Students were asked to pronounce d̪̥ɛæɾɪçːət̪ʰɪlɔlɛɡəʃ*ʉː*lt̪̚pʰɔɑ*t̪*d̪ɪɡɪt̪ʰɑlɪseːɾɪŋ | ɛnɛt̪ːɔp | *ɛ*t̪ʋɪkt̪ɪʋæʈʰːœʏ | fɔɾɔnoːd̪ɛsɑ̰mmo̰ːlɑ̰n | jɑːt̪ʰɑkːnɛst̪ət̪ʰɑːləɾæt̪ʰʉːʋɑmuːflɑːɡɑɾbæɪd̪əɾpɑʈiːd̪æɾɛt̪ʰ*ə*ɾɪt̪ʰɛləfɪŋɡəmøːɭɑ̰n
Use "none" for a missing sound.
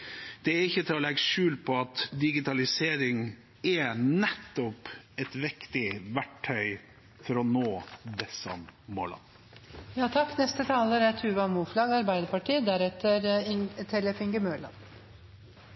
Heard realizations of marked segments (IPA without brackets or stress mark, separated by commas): ʉː, t̪, ɛ, ə